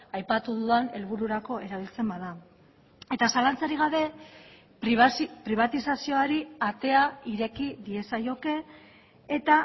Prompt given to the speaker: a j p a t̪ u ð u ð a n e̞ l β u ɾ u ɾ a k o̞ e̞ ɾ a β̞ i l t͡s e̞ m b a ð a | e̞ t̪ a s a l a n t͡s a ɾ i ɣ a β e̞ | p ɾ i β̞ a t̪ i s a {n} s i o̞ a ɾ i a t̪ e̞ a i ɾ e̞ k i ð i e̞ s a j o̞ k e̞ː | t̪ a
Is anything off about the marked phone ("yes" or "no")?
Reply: yes